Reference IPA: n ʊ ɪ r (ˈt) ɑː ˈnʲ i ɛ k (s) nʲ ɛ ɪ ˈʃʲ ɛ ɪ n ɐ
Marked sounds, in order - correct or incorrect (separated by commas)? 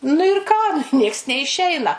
incorrect, correct